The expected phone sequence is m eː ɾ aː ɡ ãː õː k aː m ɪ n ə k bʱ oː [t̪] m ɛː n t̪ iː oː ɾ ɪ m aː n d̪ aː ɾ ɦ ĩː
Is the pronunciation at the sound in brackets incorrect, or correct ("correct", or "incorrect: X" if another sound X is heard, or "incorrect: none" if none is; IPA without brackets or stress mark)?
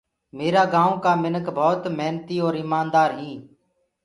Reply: correct